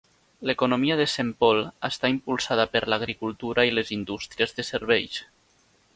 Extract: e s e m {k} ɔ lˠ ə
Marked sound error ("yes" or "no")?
yes